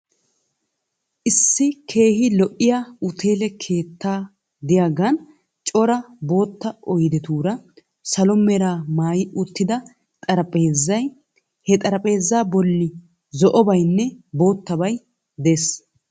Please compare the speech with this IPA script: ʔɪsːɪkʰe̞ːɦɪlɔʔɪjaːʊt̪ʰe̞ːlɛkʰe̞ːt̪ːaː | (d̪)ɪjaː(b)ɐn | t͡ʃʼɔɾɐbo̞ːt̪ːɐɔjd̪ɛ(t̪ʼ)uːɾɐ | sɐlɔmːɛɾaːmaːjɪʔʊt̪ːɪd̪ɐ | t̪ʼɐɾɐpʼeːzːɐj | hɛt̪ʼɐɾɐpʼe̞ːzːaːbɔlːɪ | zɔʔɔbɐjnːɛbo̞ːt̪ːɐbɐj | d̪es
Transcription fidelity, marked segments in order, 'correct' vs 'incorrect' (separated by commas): correct, incorrect, incorrect